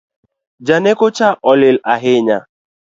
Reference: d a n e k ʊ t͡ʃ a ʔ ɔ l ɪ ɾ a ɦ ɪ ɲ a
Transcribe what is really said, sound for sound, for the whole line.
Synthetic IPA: d͡ʒ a n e k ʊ t͡ʃ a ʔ ɔ l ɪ l a ɦ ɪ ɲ a